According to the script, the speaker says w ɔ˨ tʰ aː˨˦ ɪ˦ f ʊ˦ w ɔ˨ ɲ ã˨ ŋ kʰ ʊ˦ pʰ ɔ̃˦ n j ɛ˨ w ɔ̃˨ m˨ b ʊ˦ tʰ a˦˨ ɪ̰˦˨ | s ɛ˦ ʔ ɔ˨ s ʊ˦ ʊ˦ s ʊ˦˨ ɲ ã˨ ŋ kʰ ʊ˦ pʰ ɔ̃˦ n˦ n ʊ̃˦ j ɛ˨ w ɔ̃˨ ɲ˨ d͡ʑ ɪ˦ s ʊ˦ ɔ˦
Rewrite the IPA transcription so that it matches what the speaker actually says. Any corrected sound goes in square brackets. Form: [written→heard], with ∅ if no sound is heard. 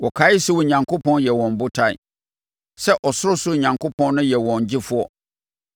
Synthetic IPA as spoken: w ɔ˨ [tʰ→kʰ] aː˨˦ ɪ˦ [f→s] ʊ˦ w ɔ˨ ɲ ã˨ ŋ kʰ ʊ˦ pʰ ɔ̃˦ n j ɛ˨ w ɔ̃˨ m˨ b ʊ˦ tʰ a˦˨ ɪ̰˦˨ | s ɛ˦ ʔ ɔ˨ s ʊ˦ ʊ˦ s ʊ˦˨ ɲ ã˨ ŋ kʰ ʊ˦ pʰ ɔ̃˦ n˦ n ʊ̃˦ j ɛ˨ w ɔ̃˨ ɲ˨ d͡ʑ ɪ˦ [s→f] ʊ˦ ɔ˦

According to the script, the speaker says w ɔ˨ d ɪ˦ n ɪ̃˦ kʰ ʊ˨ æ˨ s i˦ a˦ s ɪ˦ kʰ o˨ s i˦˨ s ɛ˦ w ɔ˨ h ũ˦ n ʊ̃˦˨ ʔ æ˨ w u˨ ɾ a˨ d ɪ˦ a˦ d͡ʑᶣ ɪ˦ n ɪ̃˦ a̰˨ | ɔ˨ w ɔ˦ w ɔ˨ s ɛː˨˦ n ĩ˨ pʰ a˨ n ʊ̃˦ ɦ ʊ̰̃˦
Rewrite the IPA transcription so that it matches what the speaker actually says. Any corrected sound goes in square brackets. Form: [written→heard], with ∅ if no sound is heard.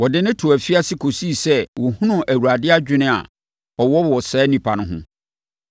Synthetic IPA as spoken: w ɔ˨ d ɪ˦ n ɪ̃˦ [kʰ→tʰ] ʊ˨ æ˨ [s→f] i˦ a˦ s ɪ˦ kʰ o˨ s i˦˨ s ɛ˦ w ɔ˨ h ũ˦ n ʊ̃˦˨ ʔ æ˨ w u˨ ɾ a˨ d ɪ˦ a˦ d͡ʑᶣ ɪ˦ n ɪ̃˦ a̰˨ | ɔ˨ w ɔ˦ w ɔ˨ s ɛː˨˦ n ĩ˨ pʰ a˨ n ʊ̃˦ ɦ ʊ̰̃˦

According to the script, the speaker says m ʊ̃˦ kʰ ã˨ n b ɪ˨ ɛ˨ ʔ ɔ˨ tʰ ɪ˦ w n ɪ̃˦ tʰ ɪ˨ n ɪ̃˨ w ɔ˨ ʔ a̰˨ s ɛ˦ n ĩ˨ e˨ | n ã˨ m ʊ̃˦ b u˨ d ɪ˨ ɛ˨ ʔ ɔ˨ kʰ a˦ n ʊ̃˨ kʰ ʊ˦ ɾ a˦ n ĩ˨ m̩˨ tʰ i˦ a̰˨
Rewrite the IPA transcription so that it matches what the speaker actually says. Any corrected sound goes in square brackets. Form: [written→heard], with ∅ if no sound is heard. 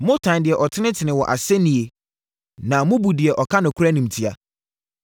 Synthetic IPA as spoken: m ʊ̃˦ [kʰ→tʰ] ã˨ n [b→d] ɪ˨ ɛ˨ ʔ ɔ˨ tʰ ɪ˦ [w→∅] n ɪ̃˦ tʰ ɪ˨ n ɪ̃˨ w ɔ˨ ʔ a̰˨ s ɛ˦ n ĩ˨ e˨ | n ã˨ m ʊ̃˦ b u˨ d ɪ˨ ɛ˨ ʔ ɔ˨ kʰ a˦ n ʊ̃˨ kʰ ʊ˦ ɾ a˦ n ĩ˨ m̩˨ tʰ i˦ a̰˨

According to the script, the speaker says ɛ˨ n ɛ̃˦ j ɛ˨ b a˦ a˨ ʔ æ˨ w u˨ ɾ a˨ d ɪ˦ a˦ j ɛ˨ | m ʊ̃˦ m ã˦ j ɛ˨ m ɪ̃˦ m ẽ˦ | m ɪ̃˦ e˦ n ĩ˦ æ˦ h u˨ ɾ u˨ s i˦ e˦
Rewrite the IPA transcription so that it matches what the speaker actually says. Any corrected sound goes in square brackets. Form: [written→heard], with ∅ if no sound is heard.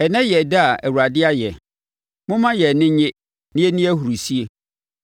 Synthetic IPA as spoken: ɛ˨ n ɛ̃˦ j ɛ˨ [b→d] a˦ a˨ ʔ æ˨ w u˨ ɾ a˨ d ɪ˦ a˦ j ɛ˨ | m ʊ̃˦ m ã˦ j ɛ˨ [m→n] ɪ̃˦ [m→ɲ] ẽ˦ | [m→n] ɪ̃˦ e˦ n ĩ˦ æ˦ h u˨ ɾ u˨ s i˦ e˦

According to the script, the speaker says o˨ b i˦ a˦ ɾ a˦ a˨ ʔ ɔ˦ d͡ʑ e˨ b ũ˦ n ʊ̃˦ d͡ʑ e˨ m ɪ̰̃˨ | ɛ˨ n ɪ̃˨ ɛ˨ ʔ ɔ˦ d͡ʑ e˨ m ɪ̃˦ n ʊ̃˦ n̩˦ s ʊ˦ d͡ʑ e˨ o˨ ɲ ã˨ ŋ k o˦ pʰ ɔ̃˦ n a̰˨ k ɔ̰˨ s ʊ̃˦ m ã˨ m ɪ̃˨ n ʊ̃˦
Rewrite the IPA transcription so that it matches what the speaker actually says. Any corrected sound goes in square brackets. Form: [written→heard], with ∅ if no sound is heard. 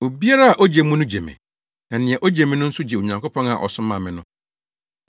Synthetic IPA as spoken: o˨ b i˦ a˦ ɾ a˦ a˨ ʔ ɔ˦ d͡ʑ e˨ [b→m] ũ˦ n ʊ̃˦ d͡ʑ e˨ m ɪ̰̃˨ | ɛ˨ n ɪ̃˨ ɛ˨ ʔ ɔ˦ d͡ʑ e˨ m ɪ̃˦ n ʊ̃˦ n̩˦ s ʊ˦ d͡ʑ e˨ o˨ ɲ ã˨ ŋ k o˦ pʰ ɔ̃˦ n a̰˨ [k→ʔ] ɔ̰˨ s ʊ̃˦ m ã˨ m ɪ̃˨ n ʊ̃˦

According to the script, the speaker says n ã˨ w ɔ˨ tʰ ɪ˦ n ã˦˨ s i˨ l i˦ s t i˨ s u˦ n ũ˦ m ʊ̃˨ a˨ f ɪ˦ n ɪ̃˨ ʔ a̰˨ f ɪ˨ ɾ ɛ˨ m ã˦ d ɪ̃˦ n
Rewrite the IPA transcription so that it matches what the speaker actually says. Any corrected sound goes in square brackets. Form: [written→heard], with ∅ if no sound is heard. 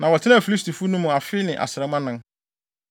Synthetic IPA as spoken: n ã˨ w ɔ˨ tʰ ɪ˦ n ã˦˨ [s→f] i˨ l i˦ s t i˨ [s→f] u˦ n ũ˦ m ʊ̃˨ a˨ f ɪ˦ n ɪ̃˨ ʔ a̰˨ [f→s] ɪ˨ ɾ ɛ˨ m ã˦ [d→n] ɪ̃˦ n

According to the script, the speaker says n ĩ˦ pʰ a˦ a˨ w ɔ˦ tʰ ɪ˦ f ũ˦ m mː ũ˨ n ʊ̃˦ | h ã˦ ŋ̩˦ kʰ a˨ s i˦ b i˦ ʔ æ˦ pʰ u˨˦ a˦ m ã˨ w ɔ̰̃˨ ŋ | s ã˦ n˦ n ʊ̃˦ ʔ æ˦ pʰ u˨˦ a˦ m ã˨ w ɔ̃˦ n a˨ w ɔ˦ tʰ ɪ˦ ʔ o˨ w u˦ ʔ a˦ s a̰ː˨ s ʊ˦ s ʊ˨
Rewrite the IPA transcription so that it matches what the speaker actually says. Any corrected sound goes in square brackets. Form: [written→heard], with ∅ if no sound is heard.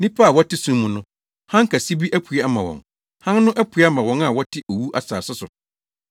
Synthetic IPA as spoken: n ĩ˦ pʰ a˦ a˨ w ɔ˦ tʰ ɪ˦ [f→s] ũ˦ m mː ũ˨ n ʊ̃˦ | h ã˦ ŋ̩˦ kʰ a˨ s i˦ b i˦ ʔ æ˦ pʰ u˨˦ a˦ m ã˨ w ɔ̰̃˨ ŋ | [s→h] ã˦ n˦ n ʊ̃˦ ʔ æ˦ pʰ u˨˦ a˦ m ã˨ w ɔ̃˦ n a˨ w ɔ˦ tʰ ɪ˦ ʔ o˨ w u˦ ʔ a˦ s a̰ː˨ s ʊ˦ s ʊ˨

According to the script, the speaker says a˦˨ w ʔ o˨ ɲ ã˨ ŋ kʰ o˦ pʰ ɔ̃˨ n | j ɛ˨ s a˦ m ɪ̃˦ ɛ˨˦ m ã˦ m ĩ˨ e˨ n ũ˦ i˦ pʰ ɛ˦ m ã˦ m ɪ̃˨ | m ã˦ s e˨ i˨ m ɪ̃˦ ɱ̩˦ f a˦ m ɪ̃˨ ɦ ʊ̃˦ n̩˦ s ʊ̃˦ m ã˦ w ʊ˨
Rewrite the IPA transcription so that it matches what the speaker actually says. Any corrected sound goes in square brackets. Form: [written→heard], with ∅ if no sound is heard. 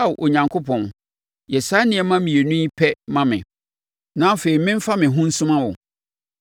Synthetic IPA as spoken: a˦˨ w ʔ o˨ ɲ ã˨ ŋ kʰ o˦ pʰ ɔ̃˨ n | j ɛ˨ s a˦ [m→n] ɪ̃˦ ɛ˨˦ m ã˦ m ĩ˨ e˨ n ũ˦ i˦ pʰ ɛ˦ m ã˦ m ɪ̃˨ | [m→n] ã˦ [s→f] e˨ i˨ m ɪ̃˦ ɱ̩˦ f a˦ m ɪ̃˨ ɦ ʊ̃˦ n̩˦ s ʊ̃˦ m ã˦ w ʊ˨

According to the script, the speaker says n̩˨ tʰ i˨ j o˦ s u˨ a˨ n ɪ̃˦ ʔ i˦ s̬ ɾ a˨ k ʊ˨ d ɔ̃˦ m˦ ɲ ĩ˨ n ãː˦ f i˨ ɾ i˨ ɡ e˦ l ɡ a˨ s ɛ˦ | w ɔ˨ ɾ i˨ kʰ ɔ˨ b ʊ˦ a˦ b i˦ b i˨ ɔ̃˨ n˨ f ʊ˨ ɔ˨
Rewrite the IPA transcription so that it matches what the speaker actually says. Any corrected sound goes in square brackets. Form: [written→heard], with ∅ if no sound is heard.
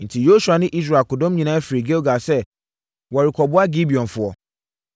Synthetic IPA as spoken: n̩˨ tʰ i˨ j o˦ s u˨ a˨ n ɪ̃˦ ʔ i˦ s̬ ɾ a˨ k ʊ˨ d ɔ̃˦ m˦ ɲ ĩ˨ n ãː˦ f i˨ ɾ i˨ ɡ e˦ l ɡ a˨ s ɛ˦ | w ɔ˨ ɾ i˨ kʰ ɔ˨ b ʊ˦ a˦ [b→ɡ] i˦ b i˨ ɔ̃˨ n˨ f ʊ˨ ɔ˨

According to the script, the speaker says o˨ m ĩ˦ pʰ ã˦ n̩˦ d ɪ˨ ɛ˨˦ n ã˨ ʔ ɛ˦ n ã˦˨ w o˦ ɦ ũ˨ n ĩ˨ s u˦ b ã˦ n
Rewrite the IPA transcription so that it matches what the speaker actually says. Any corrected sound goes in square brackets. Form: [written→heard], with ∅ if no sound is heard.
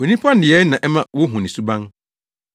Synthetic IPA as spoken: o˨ [m→n] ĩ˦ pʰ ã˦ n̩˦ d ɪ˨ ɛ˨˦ n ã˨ ʔ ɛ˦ [n→m] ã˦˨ w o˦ ɦ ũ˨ n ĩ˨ s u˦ b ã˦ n

